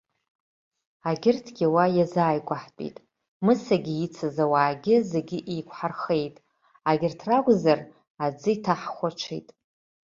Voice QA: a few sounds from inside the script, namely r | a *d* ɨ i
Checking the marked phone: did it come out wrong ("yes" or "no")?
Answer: yes